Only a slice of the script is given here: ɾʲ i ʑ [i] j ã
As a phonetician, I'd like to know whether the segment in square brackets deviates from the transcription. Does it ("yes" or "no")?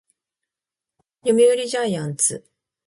yes